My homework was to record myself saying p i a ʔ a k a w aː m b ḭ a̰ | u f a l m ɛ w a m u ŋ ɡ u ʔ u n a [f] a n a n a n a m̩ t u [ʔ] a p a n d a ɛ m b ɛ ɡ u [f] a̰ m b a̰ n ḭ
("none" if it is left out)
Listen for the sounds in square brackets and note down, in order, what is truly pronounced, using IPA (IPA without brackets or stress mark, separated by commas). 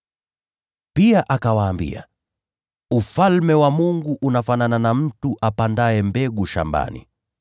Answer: f, ʔ, ʃ